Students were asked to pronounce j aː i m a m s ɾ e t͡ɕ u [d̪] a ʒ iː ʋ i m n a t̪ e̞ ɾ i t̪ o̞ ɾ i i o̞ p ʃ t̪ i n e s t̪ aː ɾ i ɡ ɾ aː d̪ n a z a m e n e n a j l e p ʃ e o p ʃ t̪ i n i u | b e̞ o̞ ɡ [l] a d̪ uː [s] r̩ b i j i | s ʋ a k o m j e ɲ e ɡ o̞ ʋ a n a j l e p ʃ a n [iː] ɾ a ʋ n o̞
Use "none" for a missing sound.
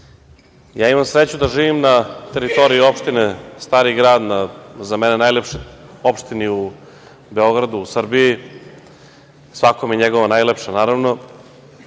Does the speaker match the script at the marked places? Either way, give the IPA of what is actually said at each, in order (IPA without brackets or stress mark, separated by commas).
d̪, ɾ, s, aː